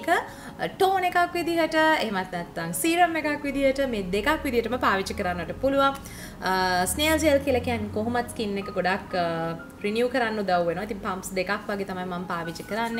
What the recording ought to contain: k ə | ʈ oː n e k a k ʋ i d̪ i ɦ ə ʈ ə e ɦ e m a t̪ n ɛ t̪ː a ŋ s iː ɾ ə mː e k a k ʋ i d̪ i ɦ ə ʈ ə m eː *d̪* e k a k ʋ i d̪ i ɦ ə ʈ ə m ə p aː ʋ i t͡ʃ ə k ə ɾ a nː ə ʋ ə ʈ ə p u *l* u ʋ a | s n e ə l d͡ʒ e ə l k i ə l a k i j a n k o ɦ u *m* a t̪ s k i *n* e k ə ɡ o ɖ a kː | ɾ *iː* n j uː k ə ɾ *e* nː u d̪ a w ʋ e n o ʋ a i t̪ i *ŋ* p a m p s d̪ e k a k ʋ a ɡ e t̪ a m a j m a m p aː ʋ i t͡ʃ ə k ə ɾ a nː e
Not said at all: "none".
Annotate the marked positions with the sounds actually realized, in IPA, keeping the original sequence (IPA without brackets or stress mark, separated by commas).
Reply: d̪, l, m, nː, i, a, ŋ